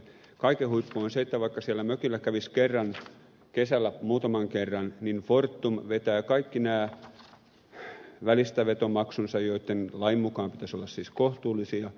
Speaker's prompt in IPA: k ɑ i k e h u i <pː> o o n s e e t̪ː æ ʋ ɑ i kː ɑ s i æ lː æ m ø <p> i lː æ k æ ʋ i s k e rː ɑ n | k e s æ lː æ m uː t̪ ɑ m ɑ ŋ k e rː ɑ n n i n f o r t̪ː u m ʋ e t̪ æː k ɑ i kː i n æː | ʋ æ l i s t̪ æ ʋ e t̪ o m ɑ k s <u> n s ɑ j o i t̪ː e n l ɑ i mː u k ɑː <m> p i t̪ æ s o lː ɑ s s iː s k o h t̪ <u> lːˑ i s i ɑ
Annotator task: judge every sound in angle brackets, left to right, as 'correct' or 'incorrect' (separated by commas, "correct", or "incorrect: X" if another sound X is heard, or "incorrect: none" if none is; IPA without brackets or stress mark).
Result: correct, incorrect: k, correct, correct, incorrect: uː